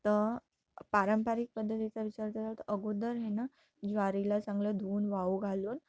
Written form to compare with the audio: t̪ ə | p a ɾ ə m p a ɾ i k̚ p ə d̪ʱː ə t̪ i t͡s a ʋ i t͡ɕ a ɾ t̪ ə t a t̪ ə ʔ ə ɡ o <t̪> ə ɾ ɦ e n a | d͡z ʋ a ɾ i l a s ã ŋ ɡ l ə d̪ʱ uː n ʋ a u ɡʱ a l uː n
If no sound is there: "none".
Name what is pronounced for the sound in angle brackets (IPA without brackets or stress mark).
d̪